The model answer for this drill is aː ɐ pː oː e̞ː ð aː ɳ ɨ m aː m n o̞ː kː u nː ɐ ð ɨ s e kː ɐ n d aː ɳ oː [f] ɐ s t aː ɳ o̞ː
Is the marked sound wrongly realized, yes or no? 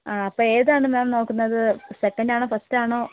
no